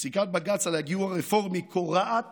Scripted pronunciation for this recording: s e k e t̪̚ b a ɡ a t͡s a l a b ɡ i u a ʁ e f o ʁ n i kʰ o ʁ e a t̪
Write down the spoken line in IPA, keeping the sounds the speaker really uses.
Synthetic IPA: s i k a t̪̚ b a ɡ a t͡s a l a ɡ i u a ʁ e f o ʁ m i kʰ o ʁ a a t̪